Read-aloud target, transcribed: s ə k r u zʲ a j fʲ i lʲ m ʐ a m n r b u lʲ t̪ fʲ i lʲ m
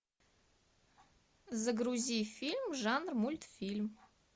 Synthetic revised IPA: z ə ɡ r u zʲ i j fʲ i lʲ m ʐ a n r m u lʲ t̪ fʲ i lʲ m